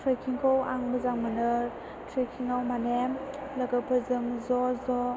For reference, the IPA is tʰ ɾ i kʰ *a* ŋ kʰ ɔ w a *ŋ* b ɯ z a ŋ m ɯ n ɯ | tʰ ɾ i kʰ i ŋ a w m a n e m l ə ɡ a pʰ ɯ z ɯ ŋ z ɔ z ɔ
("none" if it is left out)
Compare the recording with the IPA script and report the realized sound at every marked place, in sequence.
i, ŋ

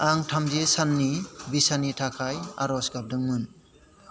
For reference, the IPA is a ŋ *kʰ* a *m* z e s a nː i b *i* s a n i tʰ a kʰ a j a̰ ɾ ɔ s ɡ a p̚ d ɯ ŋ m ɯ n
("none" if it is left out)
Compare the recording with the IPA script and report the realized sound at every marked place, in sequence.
tʰ, m, i

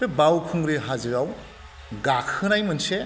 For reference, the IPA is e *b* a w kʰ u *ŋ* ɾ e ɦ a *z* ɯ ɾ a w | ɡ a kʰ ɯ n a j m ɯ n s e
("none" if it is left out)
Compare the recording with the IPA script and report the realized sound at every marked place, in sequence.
b, ŋ, z

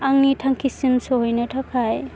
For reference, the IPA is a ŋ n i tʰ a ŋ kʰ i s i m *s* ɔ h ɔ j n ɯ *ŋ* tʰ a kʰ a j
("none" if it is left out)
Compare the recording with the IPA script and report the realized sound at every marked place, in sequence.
s, none

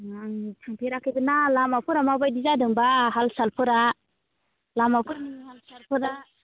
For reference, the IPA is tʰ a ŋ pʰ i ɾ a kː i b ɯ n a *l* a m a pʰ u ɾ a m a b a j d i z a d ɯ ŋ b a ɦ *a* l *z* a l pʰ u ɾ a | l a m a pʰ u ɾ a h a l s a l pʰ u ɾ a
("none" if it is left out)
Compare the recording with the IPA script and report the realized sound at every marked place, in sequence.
l, a, s

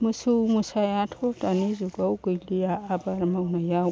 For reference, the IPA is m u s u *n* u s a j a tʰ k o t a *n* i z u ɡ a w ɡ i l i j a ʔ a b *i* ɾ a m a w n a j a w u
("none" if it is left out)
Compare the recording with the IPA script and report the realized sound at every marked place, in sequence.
m, n, a

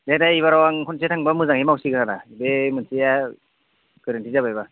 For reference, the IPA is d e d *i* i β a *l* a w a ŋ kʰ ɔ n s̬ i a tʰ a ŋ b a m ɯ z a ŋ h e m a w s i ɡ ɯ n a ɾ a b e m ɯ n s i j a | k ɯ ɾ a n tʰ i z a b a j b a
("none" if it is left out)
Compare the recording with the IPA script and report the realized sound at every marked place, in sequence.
a, ɾ

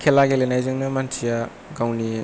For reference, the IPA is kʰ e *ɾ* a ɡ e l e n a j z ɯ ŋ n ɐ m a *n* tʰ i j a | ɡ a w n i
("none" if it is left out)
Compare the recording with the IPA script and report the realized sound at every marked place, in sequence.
l, n

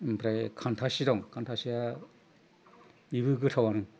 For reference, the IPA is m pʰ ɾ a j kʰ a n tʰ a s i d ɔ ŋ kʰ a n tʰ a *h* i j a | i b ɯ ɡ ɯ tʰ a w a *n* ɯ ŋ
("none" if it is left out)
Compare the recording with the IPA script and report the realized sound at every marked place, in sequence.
s, n

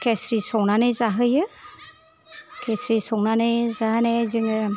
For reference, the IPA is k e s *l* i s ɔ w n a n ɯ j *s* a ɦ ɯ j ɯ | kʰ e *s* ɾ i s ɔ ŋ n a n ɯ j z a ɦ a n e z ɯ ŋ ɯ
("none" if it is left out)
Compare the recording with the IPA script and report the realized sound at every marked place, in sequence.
ɾ, z, s

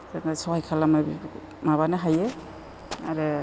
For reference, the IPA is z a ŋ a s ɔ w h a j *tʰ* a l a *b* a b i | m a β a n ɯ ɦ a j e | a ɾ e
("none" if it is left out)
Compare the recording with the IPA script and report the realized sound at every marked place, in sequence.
kʰ, m

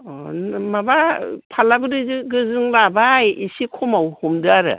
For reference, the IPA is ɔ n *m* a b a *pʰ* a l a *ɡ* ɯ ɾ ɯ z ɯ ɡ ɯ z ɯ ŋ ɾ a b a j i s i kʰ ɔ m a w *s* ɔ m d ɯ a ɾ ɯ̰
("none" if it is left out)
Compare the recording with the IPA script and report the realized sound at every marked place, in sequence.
m, pʰ, b, h

